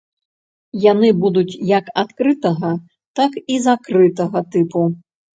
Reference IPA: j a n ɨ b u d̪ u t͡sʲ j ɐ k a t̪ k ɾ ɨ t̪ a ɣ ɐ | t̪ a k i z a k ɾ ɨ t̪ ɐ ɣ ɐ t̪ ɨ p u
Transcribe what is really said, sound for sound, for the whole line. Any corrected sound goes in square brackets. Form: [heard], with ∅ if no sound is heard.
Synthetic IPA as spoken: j a n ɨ b u d̪ u t͡sʲ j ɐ k a t̪ k ɾ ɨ t̪ [ɐ] ɣ ɐ | t̪ a k i z a k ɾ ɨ t̪ ɐ ɣ ɐ t̪ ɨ p u